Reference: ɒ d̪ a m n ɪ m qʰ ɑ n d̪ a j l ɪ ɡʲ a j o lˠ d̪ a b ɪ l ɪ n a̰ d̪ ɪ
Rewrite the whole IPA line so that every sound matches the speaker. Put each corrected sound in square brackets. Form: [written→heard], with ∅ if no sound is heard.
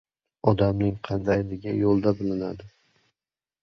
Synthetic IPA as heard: ɒ d̪ a m n ɪ [m→ŋ] qʰ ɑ n d̪ a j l ɪ ɡʲ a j o lˠ d̪ a b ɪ l ɪ n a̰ d̪ ɪ